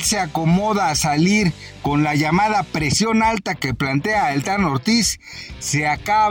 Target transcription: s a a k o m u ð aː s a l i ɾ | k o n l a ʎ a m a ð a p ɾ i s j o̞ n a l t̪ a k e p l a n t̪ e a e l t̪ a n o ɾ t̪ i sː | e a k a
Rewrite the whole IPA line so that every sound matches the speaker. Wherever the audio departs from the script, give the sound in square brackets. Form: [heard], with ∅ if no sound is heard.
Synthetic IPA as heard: s [e] a k o m [o] ð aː s a l i ɾ | k o n l a [ʝ] a m a ð a p ɾ [e] s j o̞ n a l t̪ a k e p l a n t̪ e a e l t̪ a n o ɾ t̪ i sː | e a k a